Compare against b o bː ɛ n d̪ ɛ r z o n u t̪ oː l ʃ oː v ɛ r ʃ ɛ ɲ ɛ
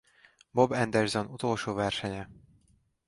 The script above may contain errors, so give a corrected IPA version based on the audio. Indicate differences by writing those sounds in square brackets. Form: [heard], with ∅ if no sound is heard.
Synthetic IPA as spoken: b o [b] ɛ n d̪ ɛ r z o n u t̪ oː l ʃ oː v ɛ r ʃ ɛ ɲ ɛ